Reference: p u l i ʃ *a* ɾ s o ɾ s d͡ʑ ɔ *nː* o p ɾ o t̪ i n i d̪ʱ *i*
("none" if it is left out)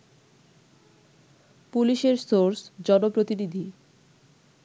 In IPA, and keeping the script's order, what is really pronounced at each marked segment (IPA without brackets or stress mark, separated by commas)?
e, n, i